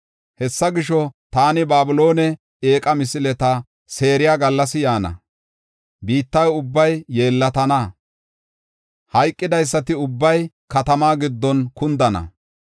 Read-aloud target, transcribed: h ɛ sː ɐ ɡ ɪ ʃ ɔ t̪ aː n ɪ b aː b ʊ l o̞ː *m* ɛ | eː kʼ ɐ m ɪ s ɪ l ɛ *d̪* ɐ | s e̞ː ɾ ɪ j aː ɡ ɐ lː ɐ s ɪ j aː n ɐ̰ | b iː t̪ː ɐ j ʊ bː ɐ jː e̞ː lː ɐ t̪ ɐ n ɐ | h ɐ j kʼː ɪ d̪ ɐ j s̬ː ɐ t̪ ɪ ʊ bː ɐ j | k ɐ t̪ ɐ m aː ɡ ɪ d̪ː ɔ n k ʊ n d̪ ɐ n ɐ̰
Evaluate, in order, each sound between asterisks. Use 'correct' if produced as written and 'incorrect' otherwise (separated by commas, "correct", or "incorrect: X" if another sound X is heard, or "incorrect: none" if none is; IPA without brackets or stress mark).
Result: incorrect: n, incorrect: t̪